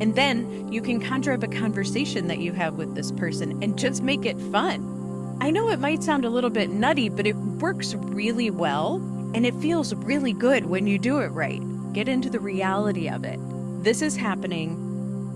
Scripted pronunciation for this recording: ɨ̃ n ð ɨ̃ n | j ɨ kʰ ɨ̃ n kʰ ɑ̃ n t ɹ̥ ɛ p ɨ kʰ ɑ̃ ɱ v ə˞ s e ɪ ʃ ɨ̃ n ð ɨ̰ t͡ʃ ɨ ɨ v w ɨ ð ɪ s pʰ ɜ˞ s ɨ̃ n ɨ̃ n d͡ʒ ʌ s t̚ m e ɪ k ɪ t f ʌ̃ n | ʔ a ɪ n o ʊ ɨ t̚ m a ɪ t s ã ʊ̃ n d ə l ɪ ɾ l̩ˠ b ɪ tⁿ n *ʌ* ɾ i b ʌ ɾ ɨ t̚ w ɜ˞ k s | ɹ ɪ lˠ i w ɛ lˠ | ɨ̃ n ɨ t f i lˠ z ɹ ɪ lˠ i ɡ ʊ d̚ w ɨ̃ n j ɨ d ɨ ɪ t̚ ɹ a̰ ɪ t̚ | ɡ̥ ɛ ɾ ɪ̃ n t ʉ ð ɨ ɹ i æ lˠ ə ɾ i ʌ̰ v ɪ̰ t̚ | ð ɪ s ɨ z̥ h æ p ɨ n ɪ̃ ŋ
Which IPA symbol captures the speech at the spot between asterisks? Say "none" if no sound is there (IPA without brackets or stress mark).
ʌ